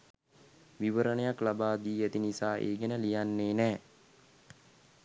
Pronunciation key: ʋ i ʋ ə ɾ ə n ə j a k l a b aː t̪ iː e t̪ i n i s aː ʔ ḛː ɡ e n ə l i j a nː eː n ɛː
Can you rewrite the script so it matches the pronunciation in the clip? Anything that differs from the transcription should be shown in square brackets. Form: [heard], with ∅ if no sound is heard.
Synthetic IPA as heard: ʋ i ʋ ə ɾ ə n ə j a k l a b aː [d̪] iː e t̪ i n i s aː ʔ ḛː ɡ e n ə l i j a nː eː n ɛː